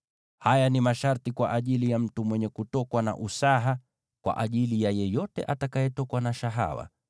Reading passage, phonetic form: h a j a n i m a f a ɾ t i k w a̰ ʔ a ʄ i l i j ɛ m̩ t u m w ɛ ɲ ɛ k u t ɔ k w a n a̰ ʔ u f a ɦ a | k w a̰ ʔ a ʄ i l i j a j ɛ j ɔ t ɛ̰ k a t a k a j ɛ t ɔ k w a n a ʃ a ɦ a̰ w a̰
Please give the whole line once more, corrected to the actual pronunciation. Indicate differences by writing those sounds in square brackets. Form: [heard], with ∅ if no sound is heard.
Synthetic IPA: h a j a n i m a [ʃ] a ɾ t i k w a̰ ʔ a ʄ i l i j [a] m̩ t u m w ɛ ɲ ɛ k u t ɔ k w a n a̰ ʔ u [s] a ɦ a | k w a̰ ʔ a ʄ i l i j a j ɛ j ɔ t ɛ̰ [ʔ] a t a k a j ɛ t ɔ k w a n a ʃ a ɦ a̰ w a̰